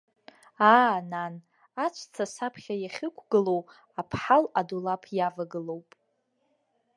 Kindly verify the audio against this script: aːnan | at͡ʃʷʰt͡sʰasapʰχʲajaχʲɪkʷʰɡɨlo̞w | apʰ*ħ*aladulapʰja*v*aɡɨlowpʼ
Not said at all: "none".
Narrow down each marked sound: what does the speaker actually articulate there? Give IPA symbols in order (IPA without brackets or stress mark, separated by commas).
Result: ħ, v